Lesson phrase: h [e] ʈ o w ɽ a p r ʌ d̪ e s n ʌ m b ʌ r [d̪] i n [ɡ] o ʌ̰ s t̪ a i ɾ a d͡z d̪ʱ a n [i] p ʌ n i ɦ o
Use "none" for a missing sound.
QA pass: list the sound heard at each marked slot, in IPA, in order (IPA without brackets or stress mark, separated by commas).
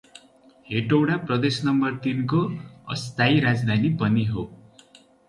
e, t̪, k, i